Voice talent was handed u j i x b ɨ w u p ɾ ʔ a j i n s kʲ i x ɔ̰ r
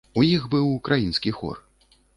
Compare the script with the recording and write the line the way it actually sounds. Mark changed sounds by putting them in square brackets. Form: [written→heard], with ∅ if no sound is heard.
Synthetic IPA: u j i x b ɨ w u [p→k] ɾ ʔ a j i n s kʲ i x ɔ̰ r